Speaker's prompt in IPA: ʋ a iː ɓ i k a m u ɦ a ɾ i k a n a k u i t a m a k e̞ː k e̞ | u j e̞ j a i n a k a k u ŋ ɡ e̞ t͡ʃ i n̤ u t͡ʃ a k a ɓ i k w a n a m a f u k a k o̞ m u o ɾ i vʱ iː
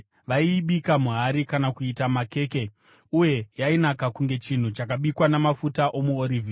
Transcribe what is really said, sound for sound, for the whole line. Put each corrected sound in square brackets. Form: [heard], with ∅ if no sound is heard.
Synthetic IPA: ʋ a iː ɓ i k a m u ɦ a ɾ i k a n a k u i t a m a k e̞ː k e̞ | u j e̞ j a i n a k a k u ŋ ɡ e̞ t͡ʃ i n̤ u t͡ʃ a k a ɓ i k w a n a m a f u [t] a [ʔ] o̞ m u o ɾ i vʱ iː